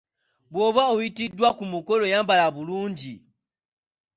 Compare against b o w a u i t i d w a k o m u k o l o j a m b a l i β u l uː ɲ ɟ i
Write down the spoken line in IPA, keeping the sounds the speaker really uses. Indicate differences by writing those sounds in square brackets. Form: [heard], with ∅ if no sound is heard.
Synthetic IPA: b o [β] a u i t i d w a k [u] m u k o l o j a m b a l [a] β u l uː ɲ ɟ i